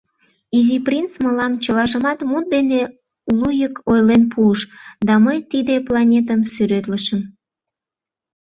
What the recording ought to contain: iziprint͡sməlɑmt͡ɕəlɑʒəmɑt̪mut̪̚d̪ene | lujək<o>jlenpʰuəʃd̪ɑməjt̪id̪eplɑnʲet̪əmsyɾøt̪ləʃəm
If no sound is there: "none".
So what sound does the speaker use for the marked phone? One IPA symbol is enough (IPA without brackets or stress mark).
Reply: o